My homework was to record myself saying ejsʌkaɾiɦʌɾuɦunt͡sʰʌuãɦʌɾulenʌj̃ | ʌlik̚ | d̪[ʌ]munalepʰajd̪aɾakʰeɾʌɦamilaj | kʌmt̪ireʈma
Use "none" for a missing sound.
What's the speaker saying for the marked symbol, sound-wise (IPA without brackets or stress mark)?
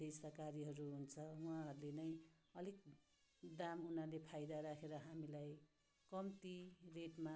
a